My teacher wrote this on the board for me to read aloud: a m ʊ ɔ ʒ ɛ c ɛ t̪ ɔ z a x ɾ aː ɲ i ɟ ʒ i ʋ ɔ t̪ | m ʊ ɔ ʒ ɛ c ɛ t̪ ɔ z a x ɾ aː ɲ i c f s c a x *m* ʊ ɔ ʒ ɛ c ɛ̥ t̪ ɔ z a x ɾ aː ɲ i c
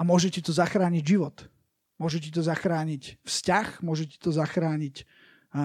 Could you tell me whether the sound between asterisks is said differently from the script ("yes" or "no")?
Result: no